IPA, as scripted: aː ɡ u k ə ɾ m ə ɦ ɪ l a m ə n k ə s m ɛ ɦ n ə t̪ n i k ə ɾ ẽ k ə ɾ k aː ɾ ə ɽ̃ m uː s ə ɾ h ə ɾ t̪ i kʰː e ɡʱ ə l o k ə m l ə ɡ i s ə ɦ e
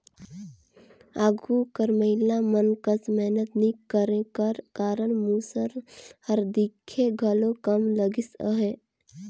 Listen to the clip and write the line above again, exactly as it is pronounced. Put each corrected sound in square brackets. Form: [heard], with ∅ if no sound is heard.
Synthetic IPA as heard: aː ɡ u k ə ɾ m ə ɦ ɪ l a m ə n k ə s m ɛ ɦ n ə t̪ n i k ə ɾ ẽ k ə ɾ k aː ɾ ə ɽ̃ m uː s ə ɾ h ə ɾ [d̪] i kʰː e ɡʱ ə l o k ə m l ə ɡ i s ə ɦ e